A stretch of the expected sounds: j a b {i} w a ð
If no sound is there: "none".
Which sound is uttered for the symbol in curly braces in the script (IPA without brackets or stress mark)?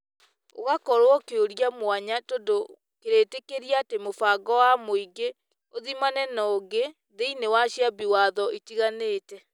i